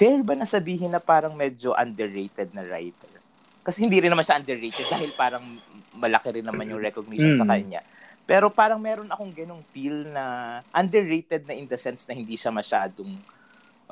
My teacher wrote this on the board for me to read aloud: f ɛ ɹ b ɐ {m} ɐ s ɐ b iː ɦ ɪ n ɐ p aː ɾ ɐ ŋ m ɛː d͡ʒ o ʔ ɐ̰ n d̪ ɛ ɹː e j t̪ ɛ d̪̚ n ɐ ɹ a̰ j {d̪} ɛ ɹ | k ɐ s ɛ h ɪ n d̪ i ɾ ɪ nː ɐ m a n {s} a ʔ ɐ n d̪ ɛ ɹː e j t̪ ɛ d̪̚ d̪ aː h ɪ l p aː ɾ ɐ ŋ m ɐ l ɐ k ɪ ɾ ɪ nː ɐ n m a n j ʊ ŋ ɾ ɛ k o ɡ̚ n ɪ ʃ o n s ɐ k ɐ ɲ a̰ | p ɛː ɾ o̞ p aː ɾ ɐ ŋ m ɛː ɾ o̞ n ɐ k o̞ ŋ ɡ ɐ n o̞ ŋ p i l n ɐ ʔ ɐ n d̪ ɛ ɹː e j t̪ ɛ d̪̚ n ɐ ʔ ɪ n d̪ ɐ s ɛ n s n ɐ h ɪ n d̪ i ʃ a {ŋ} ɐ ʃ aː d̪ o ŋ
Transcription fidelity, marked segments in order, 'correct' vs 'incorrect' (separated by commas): incorrect, incorrect, incorrect, incorrect